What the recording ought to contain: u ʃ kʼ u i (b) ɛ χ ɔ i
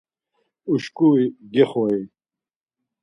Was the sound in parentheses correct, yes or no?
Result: no